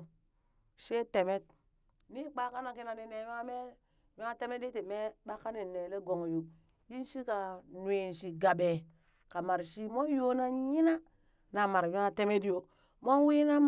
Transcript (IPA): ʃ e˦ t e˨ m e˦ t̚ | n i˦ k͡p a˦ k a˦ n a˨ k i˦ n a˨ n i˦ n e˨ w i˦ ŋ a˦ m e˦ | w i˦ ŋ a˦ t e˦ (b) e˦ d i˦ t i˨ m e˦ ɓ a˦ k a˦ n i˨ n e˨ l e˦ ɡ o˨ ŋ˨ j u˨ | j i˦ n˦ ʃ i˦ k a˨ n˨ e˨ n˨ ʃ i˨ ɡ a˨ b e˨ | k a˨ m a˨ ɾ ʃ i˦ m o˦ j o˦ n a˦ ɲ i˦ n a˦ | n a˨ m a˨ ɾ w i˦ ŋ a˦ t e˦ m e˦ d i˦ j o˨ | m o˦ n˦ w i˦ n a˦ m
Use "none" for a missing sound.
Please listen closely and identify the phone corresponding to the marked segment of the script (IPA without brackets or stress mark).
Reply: m